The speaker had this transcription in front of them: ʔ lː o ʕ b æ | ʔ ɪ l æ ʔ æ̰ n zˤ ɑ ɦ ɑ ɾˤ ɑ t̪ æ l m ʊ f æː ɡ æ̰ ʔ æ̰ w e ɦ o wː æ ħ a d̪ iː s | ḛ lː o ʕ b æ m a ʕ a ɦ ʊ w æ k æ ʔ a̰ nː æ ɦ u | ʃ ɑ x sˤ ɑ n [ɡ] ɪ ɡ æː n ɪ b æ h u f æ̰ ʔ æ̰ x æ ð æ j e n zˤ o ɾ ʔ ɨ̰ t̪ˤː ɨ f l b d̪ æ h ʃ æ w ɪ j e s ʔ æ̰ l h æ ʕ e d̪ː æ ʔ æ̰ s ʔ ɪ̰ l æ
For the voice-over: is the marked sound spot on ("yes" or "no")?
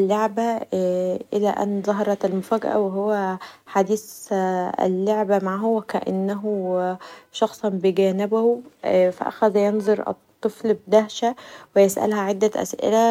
no